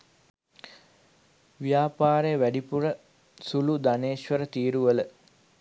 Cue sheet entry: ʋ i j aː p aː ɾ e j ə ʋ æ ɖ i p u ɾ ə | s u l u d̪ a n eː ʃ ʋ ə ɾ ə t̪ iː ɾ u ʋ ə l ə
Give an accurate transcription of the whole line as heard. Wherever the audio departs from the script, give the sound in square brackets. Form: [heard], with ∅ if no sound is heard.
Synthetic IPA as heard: ʋ i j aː p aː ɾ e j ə ʋ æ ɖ i p u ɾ ə | s u l u d̪ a n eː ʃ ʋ ə ɾ ə t̪ iː ɾ u ʋ ə l ə